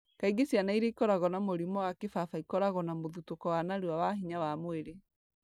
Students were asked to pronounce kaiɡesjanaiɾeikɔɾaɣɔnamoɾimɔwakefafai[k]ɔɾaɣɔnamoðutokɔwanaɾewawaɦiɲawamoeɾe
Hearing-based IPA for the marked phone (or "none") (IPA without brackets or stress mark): k